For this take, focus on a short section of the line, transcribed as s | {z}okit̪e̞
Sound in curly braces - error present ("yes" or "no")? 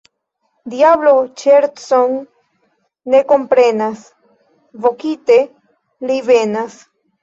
yes